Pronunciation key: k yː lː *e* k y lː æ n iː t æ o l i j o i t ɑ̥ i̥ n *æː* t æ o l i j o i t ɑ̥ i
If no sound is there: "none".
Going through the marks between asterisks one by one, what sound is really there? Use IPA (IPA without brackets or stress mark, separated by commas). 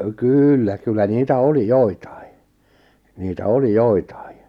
æ, iː